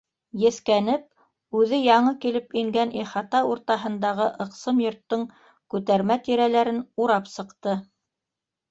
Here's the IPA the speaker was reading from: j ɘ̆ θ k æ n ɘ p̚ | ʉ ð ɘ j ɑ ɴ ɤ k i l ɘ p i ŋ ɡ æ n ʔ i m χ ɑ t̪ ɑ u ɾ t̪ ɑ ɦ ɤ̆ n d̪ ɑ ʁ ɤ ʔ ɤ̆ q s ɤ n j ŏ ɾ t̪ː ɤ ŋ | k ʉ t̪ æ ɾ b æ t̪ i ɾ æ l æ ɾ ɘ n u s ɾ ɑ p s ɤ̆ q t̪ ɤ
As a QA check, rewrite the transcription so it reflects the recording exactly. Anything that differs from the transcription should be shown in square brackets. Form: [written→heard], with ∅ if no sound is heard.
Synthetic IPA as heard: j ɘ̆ θ k æ n ɘ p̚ | ʉ ð ɘ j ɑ ɴ ɤ k i l ɘ p i ŋ ɡ æ n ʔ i [m→∅] χ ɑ t̪ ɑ u ɾ t̪ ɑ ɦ ɤ̆ n d̪ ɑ ʁ ɤ ʔ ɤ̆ q s ɤ [n→m] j ŏ ɾ t̪ː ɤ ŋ | k ʉ t̪ æ ɾ [b→m] æ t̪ i ɾ æ l æ ɾ ɘ n u [s→∅] ɾ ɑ p s ɤ̆ q t̪ ɤ

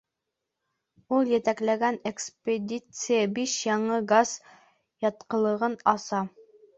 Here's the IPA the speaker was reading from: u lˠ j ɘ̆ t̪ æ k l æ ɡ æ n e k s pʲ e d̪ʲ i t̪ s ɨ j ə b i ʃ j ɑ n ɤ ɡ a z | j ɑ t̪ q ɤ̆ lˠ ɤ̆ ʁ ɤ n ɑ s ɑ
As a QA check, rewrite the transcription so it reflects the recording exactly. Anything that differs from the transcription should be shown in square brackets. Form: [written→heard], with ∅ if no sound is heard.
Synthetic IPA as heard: u lˠ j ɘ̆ t̪ æ k l æ ɡ æ n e k s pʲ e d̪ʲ i t̪ s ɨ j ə b i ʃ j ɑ [n→ɴ] ɤ ɡ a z | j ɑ t̪ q ɤ̆ lˠ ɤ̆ ʁ ɤ n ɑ s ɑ

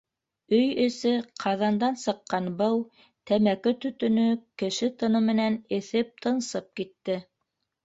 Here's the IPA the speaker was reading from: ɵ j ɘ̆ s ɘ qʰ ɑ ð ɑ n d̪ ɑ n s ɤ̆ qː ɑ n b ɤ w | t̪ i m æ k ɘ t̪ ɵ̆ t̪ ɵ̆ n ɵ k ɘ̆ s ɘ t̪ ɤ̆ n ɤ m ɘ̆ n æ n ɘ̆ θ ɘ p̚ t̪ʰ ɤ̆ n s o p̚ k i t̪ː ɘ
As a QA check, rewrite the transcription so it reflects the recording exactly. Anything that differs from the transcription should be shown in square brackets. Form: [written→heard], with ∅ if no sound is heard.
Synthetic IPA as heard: ɵ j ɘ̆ s ɘ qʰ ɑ ð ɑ n d̪ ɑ n s ɤ̆ qː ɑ n b ɤ w | t̪ [i→æ] m æ k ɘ t̪ ɵ̆ t̪ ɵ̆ n ɵ k ɘ̆ [s→ʃ] ɘ t̪ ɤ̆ n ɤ m ɘ̆ n æ n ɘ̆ θ ɘ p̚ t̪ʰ ɤ̆ n s [o→ɤ] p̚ k i t̪ː ɘ

